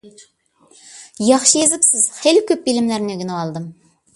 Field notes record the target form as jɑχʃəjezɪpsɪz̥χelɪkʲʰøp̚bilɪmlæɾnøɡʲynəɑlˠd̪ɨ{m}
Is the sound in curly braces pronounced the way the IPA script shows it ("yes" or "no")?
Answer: yes